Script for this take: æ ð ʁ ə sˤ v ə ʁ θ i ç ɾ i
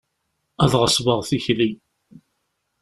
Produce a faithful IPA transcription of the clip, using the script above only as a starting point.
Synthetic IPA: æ ð ʁ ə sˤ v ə ʁ θ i ç l i